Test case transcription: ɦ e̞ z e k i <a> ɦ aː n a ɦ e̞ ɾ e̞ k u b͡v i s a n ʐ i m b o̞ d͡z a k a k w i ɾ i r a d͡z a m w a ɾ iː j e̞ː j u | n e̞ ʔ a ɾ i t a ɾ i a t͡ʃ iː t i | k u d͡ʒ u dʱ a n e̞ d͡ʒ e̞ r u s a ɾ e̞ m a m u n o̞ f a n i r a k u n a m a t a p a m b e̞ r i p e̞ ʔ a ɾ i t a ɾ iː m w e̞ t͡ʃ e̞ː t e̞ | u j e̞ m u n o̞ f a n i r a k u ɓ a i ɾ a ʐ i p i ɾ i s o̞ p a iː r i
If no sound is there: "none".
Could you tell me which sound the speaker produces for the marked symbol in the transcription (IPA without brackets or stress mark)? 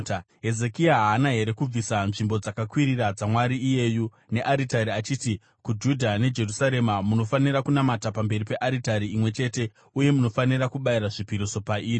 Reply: a